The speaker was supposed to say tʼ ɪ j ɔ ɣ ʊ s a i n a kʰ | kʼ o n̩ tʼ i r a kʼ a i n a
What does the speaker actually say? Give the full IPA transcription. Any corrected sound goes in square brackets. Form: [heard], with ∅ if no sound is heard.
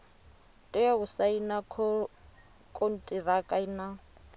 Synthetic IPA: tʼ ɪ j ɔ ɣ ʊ s a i n a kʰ | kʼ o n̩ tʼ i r a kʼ a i n a